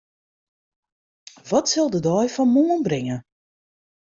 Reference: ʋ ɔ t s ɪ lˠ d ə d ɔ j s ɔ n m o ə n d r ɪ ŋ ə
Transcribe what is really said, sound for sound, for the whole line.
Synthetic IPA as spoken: ʋ ɔ t s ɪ lˠ d ə d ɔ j f ɔ n m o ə n b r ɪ ŋ ə